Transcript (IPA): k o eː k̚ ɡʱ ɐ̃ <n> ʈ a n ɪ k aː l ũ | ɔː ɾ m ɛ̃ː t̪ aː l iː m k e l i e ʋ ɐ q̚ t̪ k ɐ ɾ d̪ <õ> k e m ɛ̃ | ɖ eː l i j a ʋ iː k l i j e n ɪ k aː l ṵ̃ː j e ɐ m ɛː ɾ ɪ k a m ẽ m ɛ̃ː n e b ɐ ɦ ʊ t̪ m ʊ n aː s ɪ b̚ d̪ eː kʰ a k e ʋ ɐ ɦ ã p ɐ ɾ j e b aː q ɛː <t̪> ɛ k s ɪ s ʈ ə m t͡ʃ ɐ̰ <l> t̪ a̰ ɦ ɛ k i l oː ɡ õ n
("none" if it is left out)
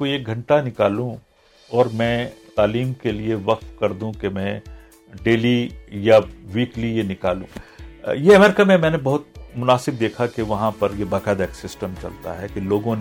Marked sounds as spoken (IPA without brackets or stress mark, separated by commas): ɳ, ũ, d̪, l